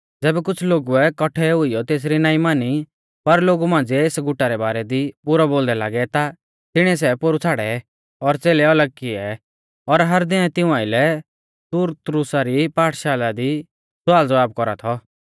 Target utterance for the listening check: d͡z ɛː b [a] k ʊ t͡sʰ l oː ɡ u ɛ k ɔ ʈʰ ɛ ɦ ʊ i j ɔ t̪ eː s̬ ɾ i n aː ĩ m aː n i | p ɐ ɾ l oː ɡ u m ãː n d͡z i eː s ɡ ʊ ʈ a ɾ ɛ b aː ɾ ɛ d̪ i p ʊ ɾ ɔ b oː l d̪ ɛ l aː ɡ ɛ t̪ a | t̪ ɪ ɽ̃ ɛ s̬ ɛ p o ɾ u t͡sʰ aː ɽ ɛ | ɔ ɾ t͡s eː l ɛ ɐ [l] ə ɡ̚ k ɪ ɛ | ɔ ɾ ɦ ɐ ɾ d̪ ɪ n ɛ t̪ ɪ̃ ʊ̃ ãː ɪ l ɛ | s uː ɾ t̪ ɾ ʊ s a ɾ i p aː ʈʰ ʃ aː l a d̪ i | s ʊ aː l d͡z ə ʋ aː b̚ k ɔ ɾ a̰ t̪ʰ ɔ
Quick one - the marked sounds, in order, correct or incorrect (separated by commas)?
incorrect, correct